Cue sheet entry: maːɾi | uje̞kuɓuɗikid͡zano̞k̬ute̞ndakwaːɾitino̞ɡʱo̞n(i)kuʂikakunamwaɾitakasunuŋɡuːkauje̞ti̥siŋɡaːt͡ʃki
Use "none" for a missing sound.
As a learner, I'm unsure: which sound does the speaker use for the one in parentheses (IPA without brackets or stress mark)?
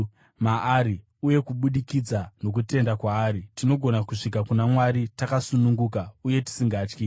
a